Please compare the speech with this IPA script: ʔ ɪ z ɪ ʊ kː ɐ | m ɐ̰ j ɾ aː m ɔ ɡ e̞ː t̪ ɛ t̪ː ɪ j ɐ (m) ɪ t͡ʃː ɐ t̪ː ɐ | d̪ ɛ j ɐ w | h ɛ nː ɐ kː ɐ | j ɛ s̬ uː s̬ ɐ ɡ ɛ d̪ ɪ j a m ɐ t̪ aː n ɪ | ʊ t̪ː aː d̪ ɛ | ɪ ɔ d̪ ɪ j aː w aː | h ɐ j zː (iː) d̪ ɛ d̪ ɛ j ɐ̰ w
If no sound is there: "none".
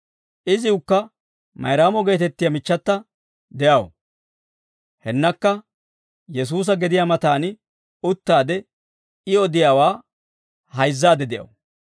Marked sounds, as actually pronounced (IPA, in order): m, aː

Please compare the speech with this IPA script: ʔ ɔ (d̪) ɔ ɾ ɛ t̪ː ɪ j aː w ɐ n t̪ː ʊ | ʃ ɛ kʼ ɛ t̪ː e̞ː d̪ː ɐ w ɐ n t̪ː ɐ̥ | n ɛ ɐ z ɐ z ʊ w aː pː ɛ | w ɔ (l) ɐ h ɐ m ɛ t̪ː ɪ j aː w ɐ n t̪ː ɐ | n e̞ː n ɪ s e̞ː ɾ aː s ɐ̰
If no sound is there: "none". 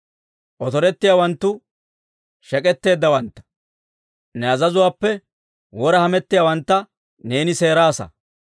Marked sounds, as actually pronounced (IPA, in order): t̪, ɾ

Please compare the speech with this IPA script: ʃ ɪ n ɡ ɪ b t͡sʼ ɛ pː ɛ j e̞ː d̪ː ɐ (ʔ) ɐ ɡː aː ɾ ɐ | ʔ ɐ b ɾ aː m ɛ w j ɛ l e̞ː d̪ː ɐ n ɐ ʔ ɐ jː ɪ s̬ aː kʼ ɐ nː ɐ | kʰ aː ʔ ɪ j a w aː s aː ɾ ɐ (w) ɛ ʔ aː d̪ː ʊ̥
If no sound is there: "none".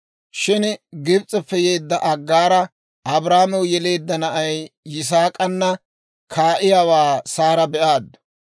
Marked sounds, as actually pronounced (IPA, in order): ʔ, b

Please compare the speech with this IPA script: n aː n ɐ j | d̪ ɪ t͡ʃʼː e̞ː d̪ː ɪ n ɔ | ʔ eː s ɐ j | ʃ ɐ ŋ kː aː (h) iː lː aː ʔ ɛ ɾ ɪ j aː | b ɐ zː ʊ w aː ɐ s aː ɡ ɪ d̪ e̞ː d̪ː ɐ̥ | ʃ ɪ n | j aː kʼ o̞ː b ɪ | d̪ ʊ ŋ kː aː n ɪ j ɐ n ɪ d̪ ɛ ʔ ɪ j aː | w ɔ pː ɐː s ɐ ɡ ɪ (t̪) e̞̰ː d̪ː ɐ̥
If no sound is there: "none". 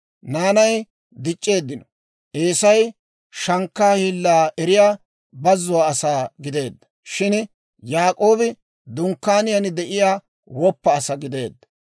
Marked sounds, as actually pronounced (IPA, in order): h, d̪

